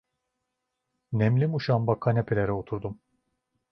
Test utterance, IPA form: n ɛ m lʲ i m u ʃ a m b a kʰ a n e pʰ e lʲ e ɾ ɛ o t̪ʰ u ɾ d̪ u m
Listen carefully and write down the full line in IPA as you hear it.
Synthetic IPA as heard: n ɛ m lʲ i m u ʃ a m b a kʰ a n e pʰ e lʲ e ɾ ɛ o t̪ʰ u ɾ d̪ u m